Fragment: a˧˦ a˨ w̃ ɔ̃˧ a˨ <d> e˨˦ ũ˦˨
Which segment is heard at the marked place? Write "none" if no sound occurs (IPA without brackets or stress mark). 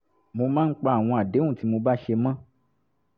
d